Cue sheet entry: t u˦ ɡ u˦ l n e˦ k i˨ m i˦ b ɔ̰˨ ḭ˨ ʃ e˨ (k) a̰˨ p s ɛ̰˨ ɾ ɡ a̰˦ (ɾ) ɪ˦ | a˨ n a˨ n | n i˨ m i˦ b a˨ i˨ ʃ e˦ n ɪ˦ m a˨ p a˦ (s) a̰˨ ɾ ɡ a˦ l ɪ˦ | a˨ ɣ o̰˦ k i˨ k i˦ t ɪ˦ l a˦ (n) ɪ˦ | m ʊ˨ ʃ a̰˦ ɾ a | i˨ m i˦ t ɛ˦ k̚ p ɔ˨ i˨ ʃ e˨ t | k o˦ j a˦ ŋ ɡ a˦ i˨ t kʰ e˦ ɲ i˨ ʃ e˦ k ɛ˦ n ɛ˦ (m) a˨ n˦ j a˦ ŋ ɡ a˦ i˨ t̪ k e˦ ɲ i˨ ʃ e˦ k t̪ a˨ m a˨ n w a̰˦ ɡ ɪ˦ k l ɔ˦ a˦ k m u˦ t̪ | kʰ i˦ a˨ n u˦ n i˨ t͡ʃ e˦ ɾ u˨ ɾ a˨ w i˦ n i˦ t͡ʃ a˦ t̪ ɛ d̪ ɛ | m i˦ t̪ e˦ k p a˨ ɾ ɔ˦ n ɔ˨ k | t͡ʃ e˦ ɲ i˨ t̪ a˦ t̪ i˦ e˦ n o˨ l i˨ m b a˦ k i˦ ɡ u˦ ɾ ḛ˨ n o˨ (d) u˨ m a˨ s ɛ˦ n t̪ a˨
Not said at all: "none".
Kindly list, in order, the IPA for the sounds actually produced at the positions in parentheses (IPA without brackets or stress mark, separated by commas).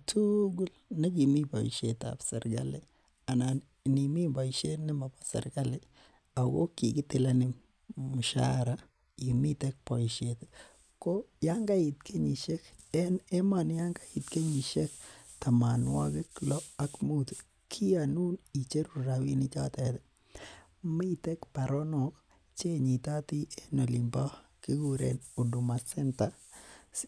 t, l, s, n, m, d